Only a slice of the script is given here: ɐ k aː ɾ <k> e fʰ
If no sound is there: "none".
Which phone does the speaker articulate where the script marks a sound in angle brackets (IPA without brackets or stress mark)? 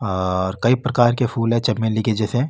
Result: k